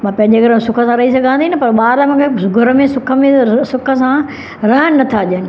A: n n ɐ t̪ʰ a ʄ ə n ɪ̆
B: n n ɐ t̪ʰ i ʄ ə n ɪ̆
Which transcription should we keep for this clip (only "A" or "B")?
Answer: A